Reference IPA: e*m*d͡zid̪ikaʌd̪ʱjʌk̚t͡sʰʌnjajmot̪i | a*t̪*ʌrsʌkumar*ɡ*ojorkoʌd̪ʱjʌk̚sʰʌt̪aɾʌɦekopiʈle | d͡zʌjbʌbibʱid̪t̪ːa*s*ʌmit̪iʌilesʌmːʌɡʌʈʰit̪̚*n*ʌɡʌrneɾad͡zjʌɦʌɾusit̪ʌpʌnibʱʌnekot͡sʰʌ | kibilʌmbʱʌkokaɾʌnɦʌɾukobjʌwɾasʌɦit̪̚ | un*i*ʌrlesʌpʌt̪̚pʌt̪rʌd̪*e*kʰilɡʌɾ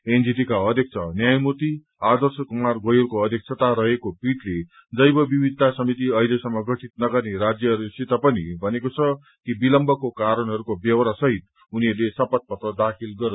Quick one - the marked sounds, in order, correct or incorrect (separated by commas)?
incorrect, incorrect, correct, correct, correct, correct, incorrect